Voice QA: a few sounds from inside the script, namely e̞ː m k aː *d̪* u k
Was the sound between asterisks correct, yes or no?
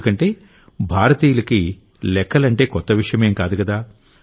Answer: yes